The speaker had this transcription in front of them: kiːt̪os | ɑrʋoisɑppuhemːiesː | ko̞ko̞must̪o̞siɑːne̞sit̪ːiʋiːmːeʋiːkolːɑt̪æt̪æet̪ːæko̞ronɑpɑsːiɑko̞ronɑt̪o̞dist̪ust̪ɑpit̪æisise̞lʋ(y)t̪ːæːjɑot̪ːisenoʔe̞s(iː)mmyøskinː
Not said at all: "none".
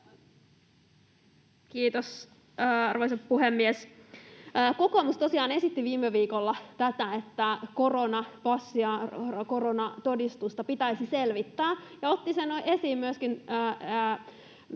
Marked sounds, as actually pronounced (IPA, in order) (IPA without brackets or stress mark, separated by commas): i, iː